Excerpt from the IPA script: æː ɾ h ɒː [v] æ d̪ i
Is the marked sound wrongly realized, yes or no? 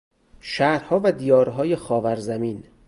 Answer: no